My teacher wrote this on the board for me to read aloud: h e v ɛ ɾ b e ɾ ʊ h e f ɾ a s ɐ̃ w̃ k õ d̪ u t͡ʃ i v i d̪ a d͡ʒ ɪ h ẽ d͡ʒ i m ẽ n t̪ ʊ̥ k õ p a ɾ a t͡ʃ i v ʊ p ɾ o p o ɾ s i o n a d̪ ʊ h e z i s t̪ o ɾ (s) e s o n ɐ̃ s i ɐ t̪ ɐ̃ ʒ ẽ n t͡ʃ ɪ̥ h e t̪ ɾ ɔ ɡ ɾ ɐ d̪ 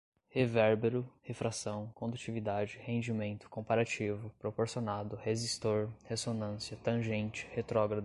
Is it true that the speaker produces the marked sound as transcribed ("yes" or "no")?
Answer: no